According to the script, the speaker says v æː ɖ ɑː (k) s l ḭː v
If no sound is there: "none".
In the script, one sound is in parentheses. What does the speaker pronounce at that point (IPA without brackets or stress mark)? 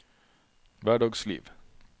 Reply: ɡ